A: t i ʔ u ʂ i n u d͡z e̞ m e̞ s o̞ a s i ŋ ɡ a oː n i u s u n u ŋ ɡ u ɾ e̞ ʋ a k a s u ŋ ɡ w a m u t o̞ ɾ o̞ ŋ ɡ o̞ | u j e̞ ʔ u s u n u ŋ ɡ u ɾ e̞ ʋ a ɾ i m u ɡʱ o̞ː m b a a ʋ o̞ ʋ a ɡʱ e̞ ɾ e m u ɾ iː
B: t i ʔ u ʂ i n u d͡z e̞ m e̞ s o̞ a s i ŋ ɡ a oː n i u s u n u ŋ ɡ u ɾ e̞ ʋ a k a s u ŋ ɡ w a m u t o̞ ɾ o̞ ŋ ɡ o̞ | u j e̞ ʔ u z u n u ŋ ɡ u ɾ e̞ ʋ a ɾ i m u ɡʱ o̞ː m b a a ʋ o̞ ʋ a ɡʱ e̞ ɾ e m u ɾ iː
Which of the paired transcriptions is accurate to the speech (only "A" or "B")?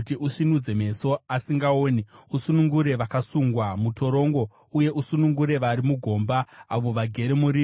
A